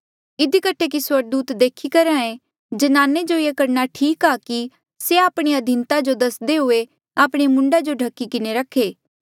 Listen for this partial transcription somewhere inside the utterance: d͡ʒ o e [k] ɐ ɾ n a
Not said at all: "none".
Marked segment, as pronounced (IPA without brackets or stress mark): k